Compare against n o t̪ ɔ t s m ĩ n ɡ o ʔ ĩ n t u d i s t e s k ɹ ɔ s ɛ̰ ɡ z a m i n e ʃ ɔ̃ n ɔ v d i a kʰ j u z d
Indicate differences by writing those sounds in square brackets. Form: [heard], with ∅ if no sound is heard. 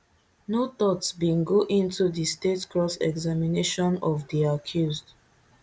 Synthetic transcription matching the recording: n o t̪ ɔ t s [b] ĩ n ɡ o ʔ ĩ n t u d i s t e [t] k ɹ ɔ s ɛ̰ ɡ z a m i n e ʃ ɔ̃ n ɔ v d i a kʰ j u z d